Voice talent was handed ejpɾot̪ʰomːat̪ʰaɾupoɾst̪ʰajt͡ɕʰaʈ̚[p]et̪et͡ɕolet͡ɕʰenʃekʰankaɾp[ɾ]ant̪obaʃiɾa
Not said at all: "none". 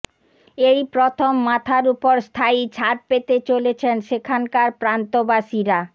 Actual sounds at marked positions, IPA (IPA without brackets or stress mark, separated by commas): p, ɾ